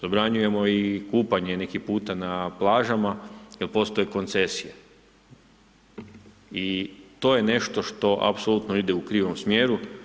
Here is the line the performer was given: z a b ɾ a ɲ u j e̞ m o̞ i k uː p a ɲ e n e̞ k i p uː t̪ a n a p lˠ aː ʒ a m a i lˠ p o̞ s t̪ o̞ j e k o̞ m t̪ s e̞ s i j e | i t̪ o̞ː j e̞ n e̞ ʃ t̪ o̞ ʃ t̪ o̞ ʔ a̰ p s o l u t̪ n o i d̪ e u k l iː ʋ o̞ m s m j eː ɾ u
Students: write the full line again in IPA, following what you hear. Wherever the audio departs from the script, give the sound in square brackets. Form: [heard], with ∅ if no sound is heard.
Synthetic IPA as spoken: z a b ɾ a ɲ u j e̞ m o̞ i k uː p a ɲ e n e̞ k i p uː t̪ a n a p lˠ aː ʒ a m a i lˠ p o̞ s t̪ o̞ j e k o̞ [n] t̪ s e̞ s i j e | i t̪ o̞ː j e̞ n e̞ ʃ t̪ o̞ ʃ t̪ o̞ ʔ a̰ p s o l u t̪ n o i d̪ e u k [ɾ] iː ʋ o̞ m s m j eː ɾ u